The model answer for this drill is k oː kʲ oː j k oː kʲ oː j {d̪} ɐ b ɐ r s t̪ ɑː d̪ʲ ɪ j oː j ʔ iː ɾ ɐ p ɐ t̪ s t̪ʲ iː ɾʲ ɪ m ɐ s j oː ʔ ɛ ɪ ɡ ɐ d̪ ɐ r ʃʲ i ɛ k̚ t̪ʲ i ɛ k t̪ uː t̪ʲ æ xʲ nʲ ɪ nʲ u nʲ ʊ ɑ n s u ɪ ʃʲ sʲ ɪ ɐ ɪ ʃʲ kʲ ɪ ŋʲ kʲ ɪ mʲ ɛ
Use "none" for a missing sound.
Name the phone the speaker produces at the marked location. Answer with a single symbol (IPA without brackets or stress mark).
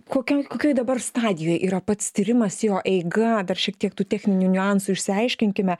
d̪